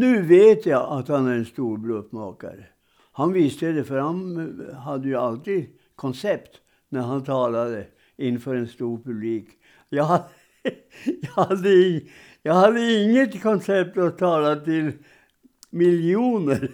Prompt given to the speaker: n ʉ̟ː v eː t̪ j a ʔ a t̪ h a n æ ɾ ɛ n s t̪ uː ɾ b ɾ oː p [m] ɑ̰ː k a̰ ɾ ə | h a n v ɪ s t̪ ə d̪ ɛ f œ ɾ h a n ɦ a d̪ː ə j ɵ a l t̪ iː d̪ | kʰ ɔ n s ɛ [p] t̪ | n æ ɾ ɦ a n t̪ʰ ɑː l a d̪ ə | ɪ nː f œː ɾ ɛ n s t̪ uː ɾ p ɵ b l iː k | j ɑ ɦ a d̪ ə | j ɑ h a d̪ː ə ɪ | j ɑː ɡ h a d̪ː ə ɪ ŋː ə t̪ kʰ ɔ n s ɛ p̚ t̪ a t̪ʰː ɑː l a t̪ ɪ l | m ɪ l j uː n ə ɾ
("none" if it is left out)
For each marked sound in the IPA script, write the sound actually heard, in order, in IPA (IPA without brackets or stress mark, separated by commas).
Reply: m, p